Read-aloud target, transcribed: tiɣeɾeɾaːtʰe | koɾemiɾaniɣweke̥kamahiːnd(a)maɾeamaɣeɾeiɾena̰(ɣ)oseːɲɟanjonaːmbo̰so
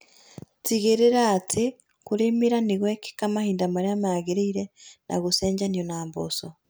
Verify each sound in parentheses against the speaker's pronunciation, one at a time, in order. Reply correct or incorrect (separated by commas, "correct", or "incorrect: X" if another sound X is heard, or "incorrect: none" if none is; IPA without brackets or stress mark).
correct, correct